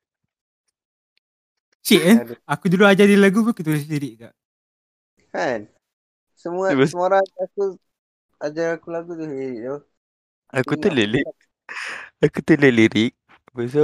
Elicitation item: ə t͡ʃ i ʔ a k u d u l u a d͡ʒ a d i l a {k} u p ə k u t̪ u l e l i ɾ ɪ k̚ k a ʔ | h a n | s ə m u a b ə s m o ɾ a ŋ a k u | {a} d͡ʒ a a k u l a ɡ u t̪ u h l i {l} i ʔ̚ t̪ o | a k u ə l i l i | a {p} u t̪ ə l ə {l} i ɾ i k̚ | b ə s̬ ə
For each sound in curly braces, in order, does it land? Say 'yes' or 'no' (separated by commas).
no, yes, no, no, yes